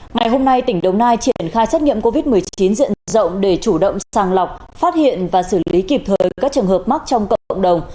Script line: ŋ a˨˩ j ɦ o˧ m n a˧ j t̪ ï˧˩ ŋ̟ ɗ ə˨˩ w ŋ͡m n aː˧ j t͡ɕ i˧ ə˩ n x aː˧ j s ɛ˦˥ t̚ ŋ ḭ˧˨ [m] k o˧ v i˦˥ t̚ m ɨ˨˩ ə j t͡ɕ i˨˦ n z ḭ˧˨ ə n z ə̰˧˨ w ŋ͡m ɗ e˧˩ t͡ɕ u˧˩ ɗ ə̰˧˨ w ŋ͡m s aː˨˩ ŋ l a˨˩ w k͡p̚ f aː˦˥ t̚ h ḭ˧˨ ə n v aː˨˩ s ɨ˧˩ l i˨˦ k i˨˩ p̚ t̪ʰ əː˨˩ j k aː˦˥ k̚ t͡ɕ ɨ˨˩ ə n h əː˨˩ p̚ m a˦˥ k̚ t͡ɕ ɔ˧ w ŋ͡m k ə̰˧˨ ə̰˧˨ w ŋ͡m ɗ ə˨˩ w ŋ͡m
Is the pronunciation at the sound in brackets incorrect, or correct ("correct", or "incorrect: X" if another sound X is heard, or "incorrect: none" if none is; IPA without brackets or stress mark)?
correct